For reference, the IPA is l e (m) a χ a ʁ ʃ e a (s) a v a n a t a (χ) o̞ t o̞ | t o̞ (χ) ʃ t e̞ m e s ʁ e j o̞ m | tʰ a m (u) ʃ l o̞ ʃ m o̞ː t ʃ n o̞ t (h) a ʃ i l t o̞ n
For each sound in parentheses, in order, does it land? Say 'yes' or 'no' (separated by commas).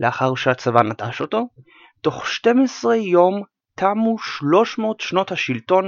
no, no, no, yes, yes, yes